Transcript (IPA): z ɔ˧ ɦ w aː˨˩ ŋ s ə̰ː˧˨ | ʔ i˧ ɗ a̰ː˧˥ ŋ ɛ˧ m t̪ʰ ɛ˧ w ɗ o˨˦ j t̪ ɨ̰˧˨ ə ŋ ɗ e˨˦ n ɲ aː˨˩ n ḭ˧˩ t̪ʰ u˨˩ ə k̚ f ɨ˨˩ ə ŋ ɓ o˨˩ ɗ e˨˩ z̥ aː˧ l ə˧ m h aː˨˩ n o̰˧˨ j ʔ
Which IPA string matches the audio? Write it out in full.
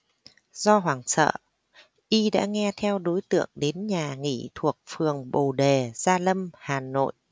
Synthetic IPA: z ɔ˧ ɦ w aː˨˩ ŋ s ə̰ː˧˨ | ʔ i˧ ɗ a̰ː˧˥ ŋ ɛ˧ t̪ʰ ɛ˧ w ɗ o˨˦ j t̪ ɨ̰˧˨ ə ŋ ɗ e˨˦ n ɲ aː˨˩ ŋ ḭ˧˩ t̪ʰ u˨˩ ə k̚ f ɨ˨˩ ə ŋ ɓ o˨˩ ɗ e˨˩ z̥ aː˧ l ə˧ m h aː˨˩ n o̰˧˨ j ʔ

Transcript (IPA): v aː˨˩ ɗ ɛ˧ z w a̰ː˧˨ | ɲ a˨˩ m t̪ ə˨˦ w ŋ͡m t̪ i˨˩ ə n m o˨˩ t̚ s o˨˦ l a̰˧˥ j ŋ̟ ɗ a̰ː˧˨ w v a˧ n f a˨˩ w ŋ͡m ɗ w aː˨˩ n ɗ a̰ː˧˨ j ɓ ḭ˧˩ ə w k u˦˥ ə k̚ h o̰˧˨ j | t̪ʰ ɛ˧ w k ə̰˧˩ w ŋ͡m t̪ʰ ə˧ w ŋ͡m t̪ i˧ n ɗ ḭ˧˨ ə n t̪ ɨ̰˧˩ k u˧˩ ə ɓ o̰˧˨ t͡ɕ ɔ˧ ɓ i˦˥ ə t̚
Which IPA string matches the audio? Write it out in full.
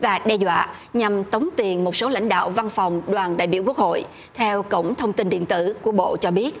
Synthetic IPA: v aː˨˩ ɗ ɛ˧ z w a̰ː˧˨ | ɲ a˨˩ m t̪ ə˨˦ w ŋ͡m t̪ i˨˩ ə n m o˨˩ t̚ s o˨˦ l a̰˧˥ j ŋ̟ ɗ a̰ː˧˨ w v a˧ n f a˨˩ w ŋ͡m ɗ w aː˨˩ n ɗ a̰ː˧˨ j ɓ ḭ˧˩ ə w k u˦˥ ə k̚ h o̰˧˨ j | t̪ʰ ɛ˧ w k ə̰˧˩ w ŋ͡m t̪ʰ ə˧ w ŋ͡m t̪ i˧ n ɗ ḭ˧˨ ə n t̪ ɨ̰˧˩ k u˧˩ ə ɓ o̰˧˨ t͡ɕ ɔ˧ ɓ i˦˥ ə t̚

